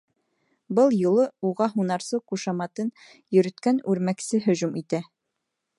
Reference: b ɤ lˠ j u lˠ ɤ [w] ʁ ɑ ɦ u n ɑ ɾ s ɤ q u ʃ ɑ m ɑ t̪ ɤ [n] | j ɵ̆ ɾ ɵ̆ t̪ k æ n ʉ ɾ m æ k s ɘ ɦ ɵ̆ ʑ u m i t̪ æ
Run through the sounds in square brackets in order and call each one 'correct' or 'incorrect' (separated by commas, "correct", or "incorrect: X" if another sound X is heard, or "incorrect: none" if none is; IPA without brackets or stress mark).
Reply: incorrect: u, correct